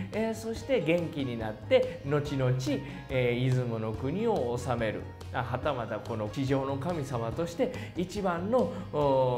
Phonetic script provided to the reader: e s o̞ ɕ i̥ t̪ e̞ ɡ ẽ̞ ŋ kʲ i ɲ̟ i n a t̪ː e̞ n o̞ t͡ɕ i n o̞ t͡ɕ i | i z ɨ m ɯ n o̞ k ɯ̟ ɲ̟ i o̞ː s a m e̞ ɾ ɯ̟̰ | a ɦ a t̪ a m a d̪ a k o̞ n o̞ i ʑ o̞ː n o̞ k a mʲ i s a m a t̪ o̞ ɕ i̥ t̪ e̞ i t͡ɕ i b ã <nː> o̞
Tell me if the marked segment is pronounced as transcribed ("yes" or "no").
yes